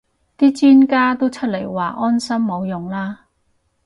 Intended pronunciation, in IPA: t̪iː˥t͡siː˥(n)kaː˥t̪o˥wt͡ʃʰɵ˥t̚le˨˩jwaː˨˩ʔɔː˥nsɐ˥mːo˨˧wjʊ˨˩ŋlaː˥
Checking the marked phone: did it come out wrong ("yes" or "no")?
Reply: no